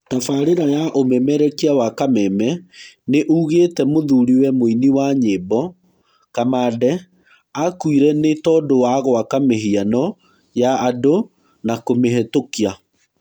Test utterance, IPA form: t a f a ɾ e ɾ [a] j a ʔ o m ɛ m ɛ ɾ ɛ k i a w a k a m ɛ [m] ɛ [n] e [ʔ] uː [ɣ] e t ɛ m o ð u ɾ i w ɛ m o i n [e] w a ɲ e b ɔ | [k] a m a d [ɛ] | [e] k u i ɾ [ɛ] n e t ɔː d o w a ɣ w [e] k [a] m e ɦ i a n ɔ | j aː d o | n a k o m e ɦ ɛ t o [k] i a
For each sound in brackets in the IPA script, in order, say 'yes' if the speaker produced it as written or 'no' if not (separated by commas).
yes, yes, yes, yes, yes, no, yes, yes, no, yes, no, yes, yes